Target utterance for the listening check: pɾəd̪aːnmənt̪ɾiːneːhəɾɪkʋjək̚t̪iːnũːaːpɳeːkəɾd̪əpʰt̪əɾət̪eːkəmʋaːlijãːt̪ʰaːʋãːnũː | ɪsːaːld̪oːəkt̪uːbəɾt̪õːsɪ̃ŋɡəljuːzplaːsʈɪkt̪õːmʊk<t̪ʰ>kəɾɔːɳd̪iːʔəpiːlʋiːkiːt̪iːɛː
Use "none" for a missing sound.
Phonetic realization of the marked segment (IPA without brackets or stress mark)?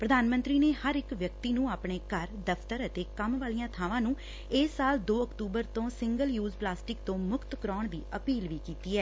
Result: t̪